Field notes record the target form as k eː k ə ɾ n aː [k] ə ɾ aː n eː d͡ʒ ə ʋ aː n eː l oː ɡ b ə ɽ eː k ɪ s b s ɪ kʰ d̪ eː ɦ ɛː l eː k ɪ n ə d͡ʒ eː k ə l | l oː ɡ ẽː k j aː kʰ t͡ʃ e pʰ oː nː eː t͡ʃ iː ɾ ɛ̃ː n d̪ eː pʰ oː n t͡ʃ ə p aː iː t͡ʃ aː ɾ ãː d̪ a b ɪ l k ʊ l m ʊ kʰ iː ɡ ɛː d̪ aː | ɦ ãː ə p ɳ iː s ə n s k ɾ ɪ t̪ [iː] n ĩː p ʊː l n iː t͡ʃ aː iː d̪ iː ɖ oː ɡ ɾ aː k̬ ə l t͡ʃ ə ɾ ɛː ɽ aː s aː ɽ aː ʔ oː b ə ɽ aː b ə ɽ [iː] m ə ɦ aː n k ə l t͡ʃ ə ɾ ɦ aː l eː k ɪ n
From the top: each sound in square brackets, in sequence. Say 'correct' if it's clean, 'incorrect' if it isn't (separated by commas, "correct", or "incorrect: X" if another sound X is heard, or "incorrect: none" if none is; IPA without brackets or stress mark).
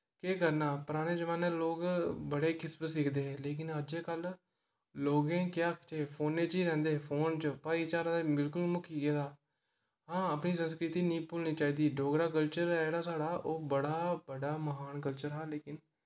incorrect: p, correct, incorrect: aː